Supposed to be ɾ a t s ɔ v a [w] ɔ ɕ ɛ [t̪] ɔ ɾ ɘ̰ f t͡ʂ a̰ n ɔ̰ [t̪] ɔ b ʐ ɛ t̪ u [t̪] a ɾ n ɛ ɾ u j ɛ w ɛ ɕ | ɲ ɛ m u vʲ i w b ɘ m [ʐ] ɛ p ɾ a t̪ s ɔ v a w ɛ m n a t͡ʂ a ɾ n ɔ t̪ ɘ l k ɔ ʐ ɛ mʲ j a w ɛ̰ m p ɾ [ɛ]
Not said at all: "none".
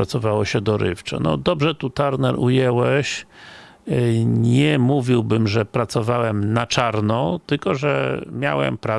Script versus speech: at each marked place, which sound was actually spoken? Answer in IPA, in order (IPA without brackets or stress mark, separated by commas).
w, d̪, d̪, t̪, ʐ, a